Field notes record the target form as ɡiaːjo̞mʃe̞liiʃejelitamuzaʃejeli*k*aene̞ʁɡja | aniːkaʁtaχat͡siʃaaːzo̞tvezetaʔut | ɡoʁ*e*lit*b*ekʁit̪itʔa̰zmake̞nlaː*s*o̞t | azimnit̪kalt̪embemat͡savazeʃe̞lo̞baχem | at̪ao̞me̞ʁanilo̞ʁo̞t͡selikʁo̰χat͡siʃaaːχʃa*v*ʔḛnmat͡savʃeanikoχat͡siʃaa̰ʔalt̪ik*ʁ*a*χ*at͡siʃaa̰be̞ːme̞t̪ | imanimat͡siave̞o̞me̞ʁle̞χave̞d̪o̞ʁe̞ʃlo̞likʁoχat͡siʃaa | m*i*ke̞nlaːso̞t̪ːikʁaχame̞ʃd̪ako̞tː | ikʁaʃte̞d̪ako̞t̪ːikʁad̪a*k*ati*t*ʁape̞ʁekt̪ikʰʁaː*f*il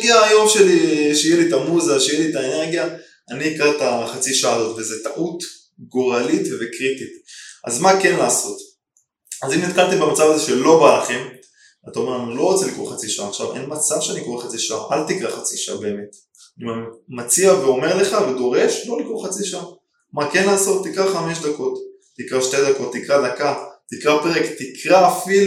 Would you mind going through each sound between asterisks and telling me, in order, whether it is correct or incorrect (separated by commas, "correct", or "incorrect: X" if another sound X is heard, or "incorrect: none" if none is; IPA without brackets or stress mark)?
incorrect: t, incorrect: a, incorrect: v, correct, correct, correct, correct, incorrect: a, correct, incorrect: k, correct